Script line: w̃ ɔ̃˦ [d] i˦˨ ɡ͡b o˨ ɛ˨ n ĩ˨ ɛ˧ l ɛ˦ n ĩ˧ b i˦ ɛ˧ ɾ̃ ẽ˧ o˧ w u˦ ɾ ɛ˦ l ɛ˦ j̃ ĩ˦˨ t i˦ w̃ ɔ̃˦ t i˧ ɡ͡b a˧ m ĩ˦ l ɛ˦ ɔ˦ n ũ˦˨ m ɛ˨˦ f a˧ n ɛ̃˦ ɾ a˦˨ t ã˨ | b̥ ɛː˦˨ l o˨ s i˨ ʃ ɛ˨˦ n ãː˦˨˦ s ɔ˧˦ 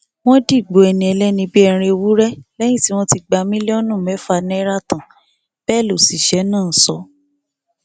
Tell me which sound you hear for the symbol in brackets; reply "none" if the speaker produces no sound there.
d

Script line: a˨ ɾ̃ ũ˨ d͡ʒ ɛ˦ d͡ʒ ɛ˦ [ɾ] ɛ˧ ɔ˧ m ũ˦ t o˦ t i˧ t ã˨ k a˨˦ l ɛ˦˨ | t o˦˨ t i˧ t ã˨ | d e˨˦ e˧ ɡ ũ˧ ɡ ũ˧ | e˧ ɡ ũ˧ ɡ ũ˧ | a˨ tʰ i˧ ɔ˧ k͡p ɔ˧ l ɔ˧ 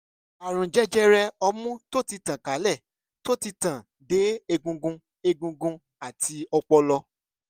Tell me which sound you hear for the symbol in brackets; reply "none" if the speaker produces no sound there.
ɾ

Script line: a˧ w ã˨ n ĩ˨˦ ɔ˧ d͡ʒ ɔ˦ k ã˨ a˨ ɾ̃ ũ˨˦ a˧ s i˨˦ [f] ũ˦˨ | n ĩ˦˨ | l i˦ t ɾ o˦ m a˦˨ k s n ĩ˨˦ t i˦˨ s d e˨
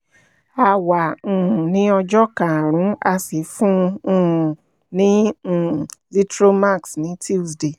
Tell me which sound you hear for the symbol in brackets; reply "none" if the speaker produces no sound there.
f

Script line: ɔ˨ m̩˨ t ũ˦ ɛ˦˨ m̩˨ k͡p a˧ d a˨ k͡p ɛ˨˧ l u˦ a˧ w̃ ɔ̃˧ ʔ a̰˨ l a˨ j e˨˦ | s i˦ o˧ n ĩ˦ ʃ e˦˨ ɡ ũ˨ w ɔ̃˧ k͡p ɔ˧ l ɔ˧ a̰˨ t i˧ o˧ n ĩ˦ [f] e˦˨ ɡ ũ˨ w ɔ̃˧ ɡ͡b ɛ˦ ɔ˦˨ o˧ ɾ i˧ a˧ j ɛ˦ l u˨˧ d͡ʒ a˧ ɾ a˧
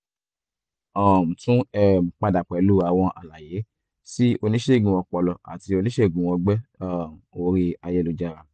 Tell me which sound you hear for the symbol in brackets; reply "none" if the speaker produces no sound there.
ʃ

